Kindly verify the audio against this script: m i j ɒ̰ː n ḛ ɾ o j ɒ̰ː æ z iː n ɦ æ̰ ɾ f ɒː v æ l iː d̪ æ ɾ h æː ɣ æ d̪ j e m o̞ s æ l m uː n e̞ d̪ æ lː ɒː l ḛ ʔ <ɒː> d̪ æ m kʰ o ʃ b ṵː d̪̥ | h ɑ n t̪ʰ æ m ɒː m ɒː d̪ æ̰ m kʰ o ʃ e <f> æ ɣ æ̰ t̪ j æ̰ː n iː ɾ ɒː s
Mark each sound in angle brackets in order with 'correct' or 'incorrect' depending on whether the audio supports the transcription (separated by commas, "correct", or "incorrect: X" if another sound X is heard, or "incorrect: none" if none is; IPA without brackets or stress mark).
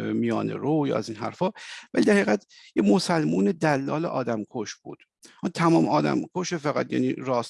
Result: correct, correct